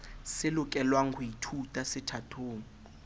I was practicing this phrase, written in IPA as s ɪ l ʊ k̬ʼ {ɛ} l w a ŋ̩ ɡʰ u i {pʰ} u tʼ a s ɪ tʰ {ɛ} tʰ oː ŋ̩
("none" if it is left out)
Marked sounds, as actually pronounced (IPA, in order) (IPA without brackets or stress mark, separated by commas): ɛ, tʰ, a